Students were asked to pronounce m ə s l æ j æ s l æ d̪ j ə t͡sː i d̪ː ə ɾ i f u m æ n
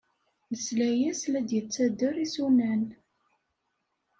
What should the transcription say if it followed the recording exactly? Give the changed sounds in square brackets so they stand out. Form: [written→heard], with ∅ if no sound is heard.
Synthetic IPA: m ə s l æ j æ s l æ d̪ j ə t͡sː [i→æ] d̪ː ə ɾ i [f→s] u [m→n] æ n